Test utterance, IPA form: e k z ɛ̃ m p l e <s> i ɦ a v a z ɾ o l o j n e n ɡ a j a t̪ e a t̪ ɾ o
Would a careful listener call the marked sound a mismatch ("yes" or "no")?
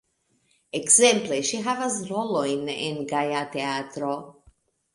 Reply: yes